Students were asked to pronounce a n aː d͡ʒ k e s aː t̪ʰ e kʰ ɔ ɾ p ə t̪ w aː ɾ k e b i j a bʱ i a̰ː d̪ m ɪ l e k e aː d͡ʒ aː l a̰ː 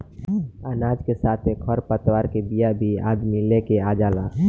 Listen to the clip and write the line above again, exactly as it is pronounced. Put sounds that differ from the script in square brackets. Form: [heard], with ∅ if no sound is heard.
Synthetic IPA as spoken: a n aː d͡ʒ k e s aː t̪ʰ e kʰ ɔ ɾ p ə t̪ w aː ɾ k e b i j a bʱ i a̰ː d̪ m [i] l e k e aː d͡ʒ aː l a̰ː